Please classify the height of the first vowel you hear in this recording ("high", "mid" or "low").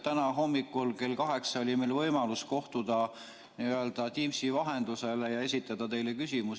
low